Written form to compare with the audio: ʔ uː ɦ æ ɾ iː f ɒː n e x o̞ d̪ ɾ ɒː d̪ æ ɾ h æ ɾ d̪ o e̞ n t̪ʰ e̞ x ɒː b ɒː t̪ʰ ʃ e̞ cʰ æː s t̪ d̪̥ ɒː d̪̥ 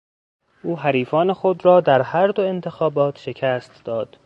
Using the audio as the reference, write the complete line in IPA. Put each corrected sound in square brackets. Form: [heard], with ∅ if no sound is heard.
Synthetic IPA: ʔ uː ɦ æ ɾ iː f ɒː n e x o̞ d̪ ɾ ɒː d̪ æ ɾ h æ ɾ d̪ o e̞ n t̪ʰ e̞ x ɒː b ɒː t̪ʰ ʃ e̞ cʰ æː s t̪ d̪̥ ɒː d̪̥